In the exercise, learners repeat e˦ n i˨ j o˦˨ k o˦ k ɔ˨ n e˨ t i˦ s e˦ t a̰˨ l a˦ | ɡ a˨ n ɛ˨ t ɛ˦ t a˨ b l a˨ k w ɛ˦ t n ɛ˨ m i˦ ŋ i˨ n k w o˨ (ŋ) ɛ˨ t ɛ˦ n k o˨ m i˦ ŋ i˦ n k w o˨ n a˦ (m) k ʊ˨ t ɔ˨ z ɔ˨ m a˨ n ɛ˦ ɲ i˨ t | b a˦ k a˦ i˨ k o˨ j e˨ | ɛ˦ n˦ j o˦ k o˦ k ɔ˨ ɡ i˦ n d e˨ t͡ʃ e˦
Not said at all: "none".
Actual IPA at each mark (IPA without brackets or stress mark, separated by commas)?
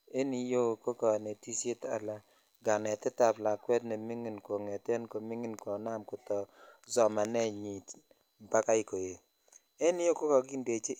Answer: ŋ, m